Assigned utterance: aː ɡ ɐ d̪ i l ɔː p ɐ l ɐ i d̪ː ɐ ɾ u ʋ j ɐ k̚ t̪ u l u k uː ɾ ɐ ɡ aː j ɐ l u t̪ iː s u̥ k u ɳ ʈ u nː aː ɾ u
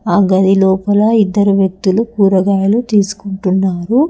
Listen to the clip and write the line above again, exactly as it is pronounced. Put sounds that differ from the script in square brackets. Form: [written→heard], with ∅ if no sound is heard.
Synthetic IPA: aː ɡ ɐ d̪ i l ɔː p ɐ l ɐ i d̪ː ɐ ɾ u ʋ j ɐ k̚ t̪ u l u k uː ɾ ɐ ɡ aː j ɐ l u t̪ iː s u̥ k u ɳ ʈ u nː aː ɾ u